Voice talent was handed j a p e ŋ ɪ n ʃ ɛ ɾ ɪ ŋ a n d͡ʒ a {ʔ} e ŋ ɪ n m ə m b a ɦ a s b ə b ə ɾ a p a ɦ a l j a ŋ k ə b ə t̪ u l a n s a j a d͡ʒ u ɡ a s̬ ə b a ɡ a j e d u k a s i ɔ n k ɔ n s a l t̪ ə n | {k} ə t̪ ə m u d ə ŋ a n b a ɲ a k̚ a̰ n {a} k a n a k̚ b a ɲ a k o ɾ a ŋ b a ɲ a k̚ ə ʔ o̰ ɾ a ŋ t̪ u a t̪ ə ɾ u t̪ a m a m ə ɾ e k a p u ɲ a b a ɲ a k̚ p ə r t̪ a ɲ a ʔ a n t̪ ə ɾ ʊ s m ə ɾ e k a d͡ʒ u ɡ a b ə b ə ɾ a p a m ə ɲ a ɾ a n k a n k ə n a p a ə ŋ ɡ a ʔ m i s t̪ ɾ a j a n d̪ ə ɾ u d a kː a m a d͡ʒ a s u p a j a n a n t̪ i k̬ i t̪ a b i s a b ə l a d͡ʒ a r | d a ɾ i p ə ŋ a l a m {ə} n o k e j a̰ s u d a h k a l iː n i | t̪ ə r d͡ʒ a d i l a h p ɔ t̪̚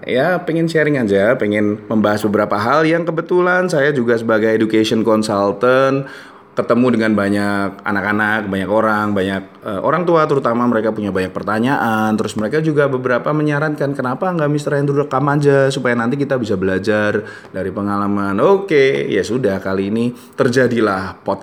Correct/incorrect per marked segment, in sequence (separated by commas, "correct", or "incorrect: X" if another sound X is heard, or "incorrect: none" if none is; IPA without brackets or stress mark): incorrect: p, correct, correct, incorrect: a